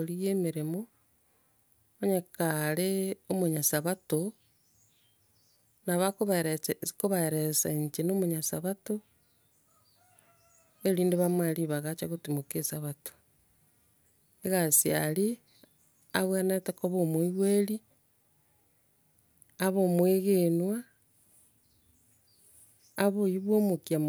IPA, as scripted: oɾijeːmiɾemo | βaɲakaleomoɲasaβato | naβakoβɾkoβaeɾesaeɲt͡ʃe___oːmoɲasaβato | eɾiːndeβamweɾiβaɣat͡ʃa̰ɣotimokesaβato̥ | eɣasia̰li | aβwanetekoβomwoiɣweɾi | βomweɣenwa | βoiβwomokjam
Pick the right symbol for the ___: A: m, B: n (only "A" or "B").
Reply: B